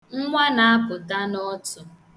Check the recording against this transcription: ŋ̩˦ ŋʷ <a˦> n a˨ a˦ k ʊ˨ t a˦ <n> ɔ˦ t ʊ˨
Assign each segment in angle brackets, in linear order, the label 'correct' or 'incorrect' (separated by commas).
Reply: correct, correct